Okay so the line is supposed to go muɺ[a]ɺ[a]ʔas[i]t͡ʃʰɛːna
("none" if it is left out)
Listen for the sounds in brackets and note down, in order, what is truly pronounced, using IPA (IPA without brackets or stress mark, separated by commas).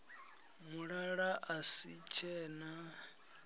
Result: a, a, i